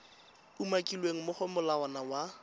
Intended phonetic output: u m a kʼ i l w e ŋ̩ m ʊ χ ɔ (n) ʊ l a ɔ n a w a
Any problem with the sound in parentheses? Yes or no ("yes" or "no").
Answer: yes